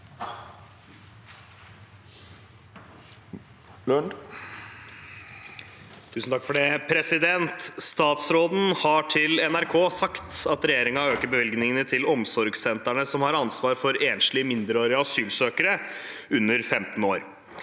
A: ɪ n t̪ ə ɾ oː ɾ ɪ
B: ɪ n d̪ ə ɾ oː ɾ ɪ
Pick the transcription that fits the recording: B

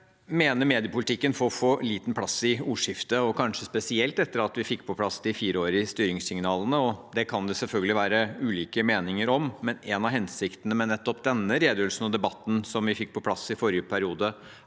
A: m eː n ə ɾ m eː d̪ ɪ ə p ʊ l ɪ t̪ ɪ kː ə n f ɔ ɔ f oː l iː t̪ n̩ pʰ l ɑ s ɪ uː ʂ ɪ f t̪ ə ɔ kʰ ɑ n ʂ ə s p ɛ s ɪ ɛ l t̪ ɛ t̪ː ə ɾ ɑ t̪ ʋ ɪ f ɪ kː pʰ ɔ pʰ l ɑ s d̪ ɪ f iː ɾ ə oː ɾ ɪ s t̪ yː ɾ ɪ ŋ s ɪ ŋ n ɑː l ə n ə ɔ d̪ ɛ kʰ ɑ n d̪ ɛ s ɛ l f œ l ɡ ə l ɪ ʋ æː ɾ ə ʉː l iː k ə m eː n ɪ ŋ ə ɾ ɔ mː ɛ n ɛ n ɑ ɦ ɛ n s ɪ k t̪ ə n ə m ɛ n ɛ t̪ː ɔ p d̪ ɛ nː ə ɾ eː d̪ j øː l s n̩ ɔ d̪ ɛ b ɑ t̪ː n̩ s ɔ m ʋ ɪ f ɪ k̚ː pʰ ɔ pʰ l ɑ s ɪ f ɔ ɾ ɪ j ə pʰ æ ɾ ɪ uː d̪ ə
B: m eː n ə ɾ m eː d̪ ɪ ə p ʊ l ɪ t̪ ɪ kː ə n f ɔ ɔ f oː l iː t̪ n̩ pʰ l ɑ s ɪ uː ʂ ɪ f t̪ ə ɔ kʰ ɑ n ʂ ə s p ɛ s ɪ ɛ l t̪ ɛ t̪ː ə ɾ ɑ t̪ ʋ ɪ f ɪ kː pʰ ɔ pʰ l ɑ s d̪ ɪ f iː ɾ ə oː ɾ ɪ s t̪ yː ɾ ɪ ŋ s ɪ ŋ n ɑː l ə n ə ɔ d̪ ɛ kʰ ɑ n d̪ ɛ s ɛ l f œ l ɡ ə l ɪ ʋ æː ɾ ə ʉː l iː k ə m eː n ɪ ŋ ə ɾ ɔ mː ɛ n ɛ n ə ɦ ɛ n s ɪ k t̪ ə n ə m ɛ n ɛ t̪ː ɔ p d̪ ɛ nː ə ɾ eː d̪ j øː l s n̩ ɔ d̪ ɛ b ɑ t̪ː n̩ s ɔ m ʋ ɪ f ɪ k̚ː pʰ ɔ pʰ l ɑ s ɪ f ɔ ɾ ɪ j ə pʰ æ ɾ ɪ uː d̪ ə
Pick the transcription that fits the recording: A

